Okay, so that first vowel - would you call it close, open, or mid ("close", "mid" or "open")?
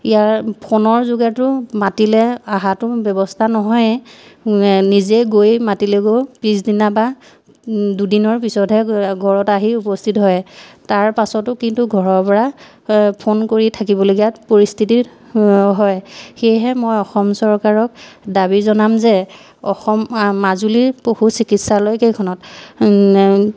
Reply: close